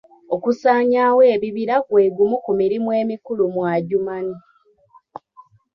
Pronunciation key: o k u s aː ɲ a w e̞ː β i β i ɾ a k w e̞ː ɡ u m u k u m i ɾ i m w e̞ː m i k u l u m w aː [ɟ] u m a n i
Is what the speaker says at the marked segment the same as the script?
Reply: yes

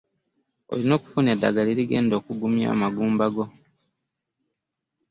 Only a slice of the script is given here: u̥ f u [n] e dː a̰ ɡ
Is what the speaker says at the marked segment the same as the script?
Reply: yes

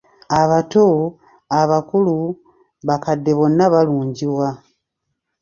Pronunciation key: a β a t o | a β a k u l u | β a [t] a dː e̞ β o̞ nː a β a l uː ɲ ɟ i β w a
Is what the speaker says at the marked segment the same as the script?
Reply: no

